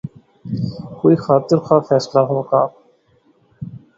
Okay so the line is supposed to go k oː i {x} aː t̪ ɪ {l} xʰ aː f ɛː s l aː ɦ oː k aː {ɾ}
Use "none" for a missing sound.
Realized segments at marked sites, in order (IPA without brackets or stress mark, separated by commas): x, ɾ, none